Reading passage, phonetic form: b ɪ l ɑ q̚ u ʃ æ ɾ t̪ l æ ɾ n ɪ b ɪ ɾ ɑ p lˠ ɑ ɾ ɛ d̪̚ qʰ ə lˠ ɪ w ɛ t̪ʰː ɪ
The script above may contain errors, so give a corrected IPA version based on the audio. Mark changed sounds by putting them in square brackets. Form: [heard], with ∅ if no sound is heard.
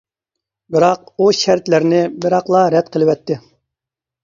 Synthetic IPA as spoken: b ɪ [ɾ] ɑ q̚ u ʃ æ ɾ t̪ l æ ɾ n ɪ b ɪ ɾ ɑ [q] lˠ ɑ ɾ ɛ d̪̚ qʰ ə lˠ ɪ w ɛ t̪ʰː ɪ